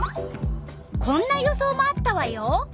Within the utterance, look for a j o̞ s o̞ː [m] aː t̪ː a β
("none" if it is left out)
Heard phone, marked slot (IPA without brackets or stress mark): m